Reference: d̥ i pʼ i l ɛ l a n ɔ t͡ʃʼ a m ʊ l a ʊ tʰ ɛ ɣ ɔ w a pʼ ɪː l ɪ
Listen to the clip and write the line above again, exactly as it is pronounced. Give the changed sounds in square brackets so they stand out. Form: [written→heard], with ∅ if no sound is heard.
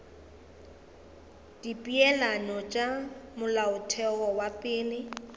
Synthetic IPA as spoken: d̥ i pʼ i [l→∅] ɛ l a n ɔ t͡ʃʼ a m ʊ l a ʊ tʰ ɛ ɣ ɔ w a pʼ ɪː l ɪ